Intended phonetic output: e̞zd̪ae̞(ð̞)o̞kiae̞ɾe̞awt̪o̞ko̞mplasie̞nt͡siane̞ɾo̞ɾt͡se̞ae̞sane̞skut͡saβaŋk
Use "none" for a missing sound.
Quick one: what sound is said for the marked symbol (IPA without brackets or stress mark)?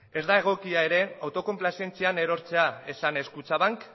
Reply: ɣ̞